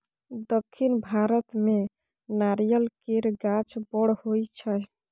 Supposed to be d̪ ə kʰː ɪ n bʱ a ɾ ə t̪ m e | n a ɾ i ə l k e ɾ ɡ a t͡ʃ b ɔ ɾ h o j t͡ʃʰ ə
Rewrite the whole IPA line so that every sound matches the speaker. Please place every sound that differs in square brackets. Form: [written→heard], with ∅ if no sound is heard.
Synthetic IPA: d̪ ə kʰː [ɪ→i] n bʱ a ɾ ə t̪ m e | n a ɾ [i→j] ə l k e ɾ ɡ a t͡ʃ b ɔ [ɾ→ɽ] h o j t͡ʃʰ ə